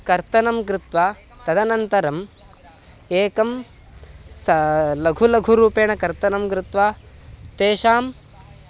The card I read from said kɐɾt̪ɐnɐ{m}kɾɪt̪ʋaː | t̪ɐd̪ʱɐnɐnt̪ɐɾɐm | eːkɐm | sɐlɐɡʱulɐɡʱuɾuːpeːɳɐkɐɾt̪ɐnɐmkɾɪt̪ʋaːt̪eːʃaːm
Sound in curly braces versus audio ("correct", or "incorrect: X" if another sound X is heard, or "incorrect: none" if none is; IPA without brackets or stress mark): correct